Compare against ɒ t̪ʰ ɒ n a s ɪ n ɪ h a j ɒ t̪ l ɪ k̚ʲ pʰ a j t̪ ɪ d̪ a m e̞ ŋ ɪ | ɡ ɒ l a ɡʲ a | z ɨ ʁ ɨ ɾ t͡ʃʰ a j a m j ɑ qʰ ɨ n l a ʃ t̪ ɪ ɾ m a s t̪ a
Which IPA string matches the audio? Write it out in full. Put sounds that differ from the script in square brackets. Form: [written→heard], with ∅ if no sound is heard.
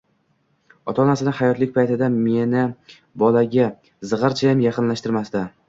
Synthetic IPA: ɒ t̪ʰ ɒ n a s ɪ n ɪ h a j ɒ t̪ l ɪ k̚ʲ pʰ a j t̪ ɪ d̪ a m e̞ [ŋ→n] ɪ | [ɡ→b] ɒ l a ɡʲ a | z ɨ ʁ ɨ ɾ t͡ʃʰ a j a m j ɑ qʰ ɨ n l a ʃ t̪ ɪ ɾ m a s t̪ a